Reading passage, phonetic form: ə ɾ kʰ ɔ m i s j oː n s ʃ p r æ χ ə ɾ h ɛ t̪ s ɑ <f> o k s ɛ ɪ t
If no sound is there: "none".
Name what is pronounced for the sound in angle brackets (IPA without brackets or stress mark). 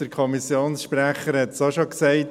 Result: ʃ